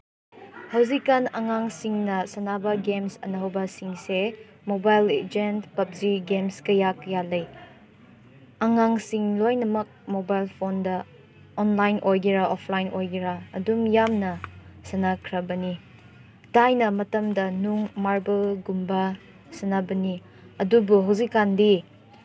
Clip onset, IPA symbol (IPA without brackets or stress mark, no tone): h